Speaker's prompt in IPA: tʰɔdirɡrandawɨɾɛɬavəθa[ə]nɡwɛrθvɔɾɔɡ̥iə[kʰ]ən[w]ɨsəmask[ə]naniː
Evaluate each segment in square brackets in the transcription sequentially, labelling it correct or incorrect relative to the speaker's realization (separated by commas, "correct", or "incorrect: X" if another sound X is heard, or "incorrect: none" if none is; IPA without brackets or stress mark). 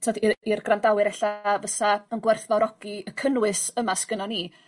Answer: correct, correct, correct, correct